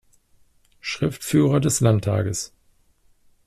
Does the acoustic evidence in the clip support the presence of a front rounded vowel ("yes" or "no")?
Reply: yes